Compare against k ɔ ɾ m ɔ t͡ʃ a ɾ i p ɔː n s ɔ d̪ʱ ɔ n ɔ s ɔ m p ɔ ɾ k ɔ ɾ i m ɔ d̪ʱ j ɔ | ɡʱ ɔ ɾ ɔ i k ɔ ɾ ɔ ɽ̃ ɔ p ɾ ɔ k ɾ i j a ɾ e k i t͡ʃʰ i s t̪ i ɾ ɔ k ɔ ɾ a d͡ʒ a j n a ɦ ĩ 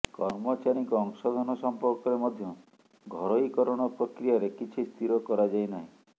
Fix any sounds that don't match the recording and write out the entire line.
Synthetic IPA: k ɔ ɾ m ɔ t͡ʃ a ɾ i k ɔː ŋ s ɔ d̪ʱ ɔ n ɔ s ɔ m p ɔ ɾ k ɔ ɾ e m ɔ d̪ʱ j ɔ | ɡʱ ɔ ɾ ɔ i k ɔ ɾ ɔ ɽ̃ ɔ p ɾ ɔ k ɾ i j a ɾ e k i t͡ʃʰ i s t̪ i ɾ ɔ k ɔ ɾ a d͡ʒ a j n a ɦ ĩ